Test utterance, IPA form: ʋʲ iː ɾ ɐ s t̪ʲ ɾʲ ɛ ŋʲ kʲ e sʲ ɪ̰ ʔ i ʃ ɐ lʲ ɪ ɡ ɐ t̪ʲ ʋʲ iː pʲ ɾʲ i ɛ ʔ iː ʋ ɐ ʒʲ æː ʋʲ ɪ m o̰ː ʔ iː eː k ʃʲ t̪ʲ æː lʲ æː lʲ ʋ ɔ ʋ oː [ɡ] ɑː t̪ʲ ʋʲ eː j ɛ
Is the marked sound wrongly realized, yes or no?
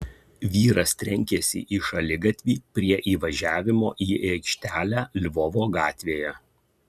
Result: no